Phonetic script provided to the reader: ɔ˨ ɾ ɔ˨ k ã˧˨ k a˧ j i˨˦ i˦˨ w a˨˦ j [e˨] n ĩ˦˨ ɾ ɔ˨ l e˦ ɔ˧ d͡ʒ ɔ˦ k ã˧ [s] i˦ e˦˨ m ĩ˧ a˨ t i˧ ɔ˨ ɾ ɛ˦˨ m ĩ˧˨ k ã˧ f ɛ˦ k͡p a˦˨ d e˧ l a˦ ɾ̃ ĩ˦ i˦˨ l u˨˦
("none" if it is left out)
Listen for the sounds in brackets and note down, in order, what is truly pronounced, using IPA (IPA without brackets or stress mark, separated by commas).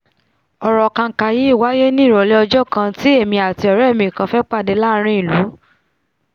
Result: e˦, t